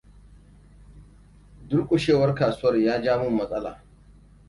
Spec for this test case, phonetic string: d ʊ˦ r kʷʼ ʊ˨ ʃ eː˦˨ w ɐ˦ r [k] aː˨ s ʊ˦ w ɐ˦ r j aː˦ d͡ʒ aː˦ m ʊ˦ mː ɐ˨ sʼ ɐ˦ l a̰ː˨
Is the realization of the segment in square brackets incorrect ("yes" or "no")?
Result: no